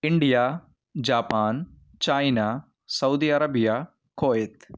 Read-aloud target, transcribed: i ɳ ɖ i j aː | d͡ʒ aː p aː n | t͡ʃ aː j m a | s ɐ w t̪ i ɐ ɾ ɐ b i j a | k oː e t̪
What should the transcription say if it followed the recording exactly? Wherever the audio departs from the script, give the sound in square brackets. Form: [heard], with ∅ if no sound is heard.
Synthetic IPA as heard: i ɳ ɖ i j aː | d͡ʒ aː p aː n | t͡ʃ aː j [n] a | s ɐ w [d̪] i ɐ ɾ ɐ b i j a | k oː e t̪